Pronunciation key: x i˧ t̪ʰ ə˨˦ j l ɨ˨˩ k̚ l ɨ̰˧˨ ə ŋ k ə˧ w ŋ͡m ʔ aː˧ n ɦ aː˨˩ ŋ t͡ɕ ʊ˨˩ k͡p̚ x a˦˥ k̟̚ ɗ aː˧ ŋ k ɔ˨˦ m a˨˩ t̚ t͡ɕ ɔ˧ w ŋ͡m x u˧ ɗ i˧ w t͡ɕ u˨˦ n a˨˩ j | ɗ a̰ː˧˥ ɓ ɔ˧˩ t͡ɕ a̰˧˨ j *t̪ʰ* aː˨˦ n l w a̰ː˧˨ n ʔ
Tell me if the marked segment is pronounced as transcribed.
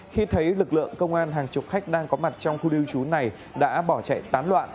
no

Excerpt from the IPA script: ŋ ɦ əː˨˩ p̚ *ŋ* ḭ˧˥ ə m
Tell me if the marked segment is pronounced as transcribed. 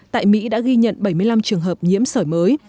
no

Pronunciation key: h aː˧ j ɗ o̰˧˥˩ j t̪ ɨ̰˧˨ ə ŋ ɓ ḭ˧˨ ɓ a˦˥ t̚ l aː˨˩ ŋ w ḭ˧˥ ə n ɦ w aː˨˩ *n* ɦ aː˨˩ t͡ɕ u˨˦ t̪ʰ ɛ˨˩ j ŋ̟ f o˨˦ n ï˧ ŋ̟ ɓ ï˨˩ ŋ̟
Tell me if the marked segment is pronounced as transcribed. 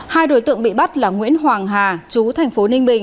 no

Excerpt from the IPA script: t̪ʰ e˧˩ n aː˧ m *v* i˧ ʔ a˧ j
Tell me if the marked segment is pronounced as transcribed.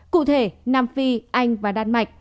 no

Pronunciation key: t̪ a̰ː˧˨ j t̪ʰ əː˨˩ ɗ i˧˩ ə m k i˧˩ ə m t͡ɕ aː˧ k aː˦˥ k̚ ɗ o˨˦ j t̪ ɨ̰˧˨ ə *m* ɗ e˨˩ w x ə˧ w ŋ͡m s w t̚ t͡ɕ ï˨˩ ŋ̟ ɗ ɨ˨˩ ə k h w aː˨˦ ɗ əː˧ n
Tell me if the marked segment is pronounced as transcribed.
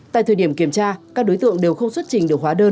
no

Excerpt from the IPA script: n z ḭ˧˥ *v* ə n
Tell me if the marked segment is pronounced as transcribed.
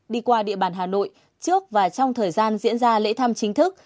no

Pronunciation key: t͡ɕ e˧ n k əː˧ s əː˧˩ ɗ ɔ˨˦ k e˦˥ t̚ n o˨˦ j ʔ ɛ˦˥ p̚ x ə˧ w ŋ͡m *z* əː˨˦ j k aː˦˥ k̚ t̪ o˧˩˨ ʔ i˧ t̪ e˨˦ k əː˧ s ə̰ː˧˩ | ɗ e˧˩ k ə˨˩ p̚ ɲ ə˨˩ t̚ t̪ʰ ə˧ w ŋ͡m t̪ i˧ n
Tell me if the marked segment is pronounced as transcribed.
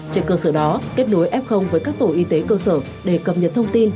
no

